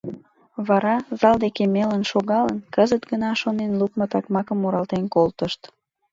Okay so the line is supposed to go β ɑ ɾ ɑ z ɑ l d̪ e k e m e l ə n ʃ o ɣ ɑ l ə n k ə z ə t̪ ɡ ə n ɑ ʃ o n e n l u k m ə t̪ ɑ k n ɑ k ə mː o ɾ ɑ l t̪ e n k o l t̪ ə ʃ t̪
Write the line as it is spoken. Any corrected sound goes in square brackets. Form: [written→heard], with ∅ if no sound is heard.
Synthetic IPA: β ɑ ɾ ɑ z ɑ l d̪ e k e m e l ə n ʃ o ɣ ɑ l ə n k ə z ə t̪ ɡ ə n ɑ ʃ o n e n l u k m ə t̪ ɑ k [n→m] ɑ k ə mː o ɾ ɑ l t̪ e n k o l t̪ ə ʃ t̪